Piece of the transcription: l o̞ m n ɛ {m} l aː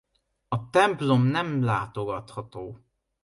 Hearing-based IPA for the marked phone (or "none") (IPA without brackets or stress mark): m